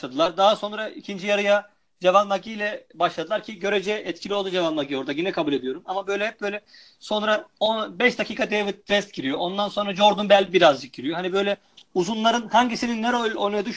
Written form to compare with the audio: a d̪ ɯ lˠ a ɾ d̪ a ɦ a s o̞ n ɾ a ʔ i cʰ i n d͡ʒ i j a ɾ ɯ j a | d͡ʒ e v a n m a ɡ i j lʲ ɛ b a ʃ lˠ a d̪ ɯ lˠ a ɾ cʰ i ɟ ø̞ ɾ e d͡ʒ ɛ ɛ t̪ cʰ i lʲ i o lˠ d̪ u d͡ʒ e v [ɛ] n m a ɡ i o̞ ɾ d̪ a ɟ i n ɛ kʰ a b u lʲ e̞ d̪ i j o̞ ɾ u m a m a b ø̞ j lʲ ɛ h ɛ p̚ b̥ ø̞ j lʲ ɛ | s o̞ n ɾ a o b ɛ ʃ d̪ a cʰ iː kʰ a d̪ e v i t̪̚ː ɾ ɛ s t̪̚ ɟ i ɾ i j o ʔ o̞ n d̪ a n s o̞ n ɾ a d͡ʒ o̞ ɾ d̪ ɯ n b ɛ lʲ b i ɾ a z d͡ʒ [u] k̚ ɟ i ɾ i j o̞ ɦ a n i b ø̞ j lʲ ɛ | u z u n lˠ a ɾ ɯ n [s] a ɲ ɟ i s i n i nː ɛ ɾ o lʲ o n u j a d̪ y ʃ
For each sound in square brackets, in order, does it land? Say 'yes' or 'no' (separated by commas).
no, no, no